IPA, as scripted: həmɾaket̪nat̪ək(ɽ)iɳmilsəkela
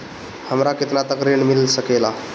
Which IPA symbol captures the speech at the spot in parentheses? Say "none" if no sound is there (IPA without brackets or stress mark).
ɾ